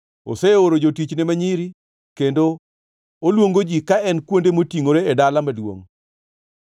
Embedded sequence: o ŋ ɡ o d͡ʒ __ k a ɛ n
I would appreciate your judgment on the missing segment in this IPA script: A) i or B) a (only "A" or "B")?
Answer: A